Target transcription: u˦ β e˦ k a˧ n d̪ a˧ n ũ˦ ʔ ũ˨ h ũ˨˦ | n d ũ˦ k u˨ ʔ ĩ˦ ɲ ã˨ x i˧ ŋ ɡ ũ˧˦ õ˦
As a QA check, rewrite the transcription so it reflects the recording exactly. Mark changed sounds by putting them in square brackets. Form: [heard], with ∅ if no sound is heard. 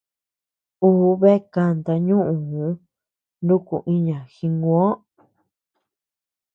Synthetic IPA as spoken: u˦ β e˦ k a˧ n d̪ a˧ [ɲ] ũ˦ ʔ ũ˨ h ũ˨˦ | n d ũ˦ k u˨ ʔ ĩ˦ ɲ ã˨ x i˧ ŋ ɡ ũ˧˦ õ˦